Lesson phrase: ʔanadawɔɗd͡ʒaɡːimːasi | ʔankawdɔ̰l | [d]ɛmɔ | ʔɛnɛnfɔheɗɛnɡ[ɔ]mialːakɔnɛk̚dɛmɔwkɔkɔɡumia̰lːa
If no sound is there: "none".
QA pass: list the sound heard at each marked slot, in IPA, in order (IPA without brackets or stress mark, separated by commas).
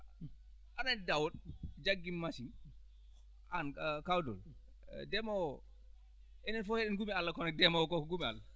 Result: d, u